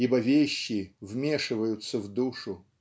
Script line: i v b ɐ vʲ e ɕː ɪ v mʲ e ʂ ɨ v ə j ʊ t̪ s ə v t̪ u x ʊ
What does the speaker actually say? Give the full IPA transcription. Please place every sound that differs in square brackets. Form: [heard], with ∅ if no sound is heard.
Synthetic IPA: i [∅] b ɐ vʲ e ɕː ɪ v mʲ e ʂ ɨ v ə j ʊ t̪ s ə v [d̪] u [ʂ] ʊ